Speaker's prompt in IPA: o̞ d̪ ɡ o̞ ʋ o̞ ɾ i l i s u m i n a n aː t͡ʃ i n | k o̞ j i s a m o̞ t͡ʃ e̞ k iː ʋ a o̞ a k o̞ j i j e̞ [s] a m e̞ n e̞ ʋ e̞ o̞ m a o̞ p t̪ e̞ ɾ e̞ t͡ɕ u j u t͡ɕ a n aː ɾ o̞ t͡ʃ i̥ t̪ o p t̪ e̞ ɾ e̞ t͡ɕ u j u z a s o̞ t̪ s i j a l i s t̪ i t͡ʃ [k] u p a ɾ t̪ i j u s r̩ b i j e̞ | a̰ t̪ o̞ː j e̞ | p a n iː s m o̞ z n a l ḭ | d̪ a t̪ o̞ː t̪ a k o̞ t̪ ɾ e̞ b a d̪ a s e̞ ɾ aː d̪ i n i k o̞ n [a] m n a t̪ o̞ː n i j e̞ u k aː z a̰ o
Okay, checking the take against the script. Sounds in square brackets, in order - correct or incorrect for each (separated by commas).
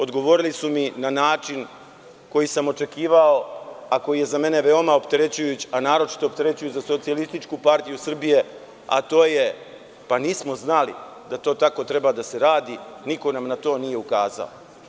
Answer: incorrect, correct, correct